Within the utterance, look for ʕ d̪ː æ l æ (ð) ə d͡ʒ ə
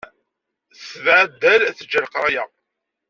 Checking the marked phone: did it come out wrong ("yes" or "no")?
yes